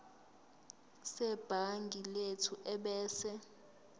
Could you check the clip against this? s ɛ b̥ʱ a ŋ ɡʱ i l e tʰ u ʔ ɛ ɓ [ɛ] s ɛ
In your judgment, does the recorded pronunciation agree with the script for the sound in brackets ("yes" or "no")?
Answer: no